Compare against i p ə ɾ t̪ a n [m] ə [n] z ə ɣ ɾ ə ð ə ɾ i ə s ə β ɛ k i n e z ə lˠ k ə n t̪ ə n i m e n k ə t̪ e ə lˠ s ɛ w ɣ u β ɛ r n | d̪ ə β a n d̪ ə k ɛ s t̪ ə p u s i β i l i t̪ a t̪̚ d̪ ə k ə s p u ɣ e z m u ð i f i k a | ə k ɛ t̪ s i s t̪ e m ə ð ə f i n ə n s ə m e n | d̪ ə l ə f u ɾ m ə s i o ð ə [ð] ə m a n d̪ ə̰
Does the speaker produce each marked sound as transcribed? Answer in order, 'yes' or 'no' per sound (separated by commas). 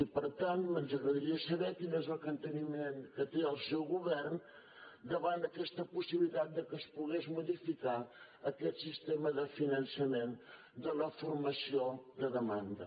yes, yes, yes